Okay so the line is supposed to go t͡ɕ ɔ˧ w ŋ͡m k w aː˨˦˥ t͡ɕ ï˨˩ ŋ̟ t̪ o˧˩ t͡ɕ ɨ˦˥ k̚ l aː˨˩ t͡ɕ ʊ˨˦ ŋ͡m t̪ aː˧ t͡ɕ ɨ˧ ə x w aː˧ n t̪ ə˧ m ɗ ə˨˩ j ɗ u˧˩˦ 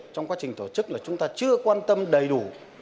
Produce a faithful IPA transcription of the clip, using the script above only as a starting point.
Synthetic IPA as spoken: t͡ɕ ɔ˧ w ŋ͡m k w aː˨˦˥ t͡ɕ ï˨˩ ŋ̟ t̪ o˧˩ t͡ɕ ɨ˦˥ k̚ l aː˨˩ t͡ɕ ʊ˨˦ ŋ͡m t̪ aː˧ t͡ɕ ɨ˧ ə k w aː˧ n t̪ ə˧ m ɗ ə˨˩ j ɗ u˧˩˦